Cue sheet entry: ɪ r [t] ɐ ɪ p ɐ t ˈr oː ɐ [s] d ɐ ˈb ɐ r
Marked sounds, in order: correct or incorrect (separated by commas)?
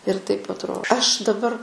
correct, incorrect